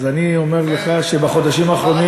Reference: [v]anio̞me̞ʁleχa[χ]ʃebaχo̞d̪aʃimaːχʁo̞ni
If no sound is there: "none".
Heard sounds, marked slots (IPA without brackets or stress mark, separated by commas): z, none